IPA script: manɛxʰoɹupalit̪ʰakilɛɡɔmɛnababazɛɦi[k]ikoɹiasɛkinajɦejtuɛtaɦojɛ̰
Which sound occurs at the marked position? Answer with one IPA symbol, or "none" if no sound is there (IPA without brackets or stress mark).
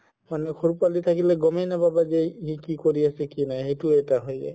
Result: k